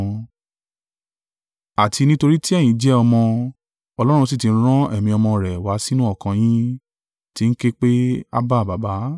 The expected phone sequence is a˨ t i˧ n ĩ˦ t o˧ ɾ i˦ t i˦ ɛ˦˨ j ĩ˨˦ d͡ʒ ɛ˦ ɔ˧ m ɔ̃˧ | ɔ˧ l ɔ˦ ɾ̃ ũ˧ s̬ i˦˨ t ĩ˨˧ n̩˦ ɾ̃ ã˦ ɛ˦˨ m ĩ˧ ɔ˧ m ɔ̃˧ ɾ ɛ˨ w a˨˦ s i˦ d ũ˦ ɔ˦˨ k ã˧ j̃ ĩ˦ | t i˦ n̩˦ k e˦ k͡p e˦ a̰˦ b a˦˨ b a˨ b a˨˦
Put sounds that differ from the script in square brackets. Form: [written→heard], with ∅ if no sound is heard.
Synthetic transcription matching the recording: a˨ t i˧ n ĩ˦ t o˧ ɾ i˦ t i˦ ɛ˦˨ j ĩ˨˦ d͡ʒ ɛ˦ ɔ˧ m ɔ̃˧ | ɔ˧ l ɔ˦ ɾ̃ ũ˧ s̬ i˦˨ t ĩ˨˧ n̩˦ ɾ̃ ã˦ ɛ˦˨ m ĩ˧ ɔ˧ m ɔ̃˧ ɾ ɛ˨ w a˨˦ s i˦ [d→n] ũ˦ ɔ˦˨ k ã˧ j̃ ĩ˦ | t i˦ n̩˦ k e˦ k͡p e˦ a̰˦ b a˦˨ b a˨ b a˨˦